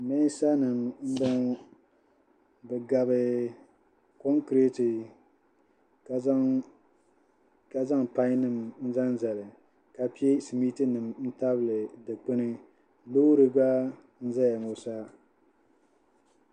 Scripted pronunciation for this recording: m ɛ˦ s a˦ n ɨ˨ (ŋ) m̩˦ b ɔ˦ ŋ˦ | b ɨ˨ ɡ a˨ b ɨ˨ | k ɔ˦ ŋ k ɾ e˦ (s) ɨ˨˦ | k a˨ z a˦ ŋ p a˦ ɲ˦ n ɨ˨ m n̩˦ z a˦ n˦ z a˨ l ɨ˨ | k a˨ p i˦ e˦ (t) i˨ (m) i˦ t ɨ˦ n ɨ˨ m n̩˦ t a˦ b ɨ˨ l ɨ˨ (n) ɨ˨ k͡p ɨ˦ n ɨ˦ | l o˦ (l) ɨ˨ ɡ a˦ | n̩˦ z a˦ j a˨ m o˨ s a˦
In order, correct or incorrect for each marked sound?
incorrect: m, incorrect: t, incorrect: s, correct, incorrect: d, incorrect: ɾ

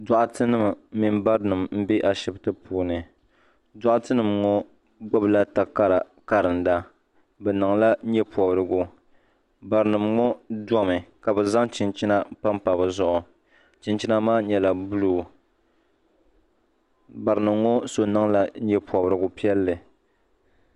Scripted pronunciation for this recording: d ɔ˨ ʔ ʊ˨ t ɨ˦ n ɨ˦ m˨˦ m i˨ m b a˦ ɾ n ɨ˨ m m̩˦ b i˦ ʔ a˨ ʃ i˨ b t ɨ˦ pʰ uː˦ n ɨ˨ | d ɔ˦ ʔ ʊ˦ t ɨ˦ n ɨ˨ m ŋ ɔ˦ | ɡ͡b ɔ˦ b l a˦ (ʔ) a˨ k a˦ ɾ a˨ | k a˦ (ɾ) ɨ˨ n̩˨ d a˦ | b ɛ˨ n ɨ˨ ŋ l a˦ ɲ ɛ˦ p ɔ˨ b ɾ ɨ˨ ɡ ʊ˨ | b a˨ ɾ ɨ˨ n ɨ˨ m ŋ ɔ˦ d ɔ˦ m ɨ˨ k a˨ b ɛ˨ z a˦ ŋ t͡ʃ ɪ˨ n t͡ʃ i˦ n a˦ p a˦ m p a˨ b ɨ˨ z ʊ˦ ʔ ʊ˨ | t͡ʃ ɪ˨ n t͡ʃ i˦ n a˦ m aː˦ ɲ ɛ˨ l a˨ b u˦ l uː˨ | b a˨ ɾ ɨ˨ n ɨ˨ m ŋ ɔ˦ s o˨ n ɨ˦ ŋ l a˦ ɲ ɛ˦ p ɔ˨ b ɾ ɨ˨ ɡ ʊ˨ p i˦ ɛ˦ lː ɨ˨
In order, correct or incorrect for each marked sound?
incorrect: t, correct

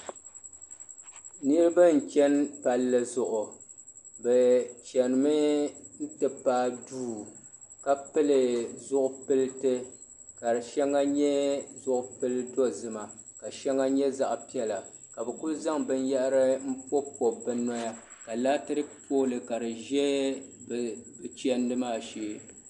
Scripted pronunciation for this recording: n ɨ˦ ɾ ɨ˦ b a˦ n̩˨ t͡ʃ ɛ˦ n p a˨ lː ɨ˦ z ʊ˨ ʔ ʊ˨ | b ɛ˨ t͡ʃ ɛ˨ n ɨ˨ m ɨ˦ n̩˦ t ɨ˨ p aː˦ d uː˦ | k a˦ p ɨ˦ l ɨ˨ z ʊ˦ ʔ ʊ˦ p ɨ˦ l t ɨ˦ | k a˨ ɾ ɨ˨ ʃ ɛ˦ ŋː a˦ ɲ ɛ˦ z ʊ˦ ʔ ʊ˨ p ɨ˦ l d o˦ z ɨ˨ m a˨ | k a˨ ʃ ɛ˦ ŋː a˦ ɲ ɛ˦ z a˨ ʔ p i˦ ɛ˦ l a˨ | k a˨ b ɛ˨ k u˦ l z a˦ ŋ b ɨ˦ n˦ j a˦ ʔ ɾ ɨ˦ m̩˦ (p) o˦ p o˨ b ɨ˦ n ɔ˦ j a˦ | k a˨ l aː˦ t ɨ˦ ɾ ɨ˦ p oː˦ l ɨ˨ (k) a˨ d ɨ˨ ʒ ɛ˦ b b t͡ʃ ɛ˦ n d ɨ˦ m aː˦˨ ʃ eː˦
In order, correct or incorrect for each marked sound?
correct, correct

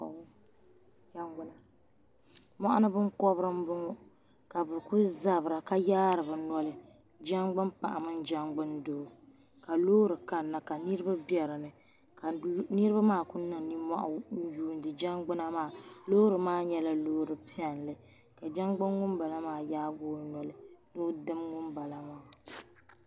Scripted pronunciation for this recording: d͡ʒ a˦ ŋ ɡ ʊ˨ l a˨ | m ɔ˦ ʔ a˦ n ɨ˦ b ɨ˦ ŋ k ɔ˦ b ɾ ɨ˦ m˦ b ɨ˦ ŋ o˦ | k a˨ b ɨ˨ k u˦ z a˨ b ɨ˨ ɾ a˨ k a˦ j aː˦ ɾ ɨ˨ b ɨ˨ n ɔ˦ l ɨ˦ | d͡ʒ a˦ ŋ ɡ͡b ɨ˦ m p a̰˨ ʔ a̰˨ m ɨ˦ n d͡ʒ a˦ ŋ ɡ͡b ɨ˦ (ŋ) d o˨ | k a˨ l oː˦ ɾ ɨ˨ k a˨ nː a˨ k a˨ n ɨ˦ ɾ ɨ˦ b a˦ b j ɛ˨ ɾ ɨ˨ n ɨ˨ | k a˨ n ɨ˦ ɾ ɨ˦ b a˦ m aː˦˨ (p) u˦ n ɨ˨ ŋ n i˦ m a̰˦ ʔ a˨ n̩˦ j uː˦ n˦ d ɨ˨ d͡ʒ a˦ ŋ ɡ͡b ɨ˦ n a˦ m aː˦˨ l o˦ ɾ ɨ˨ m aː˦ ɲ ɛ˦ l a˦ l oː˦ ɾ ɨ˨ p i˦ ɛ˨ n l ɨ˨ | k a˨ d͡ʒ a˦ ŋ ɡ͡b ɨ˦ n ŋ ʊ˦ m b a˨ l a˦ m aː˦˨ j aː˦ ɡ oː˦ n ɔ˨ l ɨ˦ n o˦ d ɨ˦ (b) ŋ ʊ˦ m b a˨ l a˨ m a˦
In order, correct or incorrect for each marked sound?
incorrect: n, incorrect: k, incorrect: m

